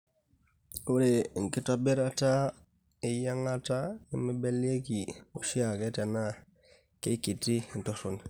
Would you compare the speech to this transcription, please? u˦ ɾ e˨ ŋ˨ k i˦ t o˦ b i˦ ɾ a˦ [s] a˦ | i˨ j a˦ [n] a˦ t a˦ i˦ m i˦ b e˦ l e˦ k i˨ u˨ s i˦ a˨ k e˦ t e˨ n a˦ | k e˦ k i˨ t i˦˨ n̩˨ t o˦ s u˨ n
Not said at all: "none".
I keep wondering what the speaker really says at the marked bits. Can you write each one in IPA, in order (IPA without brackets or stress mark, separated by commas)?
t, ŋ